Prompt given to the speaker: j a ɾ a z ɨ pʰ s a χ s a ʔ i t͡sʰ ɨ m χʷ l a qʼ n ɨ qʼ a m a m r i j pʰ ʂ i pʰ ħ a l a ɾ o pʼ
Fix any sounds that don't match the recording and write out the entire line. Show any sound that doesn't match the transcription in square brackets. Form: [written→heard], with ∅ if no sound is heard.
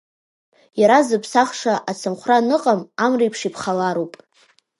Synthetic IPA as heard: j a ɾ a z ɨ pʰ s a χ [s→ʂ] a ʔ [i→a] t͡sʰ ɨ m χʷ [l→r] a [qʼ→∅] n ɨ qʼ a m a m r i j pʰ ʂ i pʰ [ħ→χ] a l a ɾ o pʼ